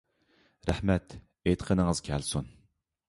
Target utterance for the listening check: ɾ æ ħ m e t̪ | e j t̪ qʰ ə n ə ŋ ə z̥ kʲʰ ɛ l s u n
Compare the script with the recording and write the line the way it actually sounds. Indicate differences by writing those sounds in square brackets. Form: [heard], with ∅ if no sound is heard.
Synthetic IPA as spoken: ɾ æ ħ m [ɛ] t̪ | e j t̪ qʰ ə n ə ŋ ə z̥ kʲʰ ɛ l s u n